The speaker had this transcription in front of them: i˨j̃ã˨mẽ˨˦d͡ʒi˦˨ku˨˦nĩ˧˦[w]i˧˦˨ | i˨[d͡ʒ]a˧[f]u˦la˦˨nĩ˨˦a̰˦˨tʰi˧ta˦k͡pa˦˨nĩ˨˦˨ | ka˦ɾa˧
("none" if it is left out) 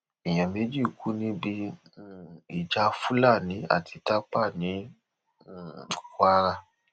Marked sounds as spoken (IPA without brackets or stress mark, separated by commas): b, d͡ʒ, f